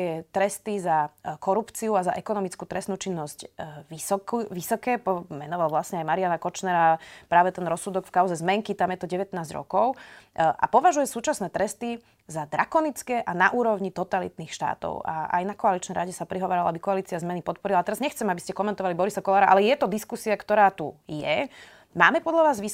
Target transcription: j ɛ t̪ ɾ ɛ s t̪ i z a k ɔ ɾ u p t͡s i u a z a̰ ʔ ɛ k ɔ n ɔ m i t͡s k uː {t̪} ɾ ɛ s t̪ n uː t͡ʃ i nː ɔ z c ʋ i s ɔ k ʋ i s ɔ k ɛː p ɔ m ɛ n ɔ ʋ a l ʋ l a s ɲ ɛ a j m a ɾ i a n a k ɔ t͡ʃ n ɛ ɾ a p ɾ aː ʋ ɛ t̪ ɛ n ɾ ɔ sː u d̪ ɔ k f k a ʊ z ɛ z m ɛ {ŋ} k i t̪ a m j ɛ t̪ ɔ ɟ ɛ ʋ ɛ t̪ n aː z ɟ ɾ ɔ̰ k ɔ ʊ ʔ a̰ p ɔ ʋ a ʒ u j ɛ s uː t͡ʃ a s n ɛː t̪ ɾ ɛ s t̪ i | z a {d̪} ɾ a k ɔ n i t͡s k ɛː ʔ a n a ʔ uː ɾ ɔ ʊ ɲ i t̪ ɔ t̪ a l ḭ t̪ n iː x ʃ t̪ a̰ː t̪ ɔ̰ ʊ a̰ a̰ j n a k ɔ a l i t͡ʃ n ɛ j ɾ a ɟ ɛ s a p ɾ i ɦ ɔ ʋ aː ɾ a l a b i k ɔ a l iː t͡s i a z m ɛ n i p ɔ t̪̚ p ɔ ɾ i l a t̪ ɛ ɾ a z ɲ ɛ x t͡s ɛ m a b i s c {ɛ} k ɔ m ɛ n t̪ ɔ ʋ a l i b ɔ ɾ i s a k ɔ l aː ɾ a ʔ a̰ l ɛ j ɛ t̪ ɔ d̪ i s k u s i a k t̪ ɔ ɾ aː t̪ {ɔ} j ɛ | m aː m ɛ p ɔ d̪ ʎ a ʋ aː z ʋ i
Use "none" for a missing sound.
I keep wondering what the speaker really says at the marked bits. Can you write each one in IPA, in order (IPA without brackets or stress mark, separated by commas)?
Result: t̪, ŋ, d̪, ɛ, u